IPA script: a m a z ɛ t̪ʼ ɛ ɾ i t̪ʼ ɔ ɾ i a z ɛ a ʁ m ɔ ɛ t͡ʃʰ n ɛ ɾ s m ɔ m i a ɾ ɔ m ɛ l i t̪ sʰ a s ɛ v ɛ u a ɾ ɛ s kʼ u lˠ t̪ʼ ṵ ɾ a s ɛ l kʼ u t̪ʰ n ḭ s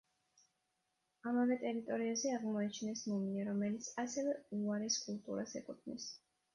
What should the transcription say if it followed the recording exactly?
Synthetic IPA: a m a v ɛ t̪ʼ ɛ ɾ i t̪ʼ ɔ ɾ i a z ɛ a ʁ m ɔ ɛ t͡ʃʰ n ɛ s m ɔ m i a ɾ ɔ m ɛ l i t̪ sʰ a s ɛ v ɛ u a ɾ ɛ s kʼ u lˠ t̪ʼ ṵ ɾ a s ɛ kʼ u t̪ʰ n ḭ s